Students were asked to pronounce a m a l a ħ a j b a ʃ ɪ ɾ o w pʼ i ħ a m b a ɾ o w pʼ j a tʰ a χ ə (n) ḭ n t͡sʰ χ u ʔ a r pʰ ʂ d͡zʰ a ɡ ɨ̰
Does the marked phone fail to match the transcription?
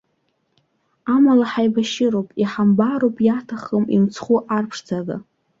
yes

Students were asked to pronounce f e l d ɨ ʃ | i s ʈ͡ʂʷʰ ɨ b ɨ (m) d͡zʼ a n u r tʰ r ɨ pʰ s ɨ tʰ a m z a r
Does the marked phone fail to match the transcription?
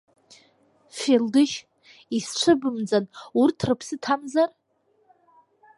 no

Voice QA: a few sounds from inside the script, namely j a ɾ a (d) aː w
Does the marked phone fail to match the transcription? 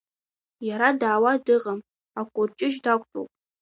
no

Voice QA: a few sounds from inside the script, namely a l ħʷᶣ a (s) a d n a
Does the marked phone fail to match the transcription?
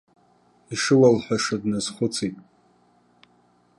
yes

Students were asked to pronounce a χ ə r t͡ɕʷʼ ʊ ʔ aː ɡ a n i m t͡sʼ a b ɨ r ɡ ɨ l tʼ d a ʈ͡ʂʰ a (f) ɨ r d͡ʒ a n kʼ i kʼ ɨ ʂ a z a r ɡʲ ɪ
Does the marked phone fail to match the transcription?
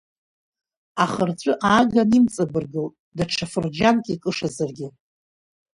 no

